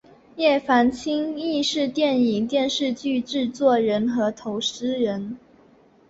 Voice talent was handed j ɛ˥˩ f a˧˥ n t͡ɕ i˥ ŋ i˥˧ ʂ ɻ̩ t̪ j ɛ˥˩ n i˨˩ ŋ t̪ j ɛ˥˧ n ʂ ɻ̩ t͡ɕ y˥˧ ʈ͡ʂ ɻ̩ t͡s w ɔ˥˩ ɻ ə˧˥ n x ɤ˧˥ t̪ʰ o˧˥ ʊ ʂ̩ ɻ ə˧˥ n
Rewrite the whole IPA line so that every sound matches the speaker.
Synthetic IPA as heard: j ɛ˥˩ f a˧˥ n t͡ɕʰ i˥ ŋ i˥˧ ʂ ɻ̩ t̪ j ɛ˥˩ n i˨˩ ŋ t̪ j ɛ˥˧ n ʂ ɻ̩ t͡ɕ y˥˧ ʈ͡ʂ ɻ̩ t͡s w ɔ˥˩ ɻ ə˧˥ n x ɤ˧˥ t̪ʰ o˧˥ ʊ ʂ̩ ɻ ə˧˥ n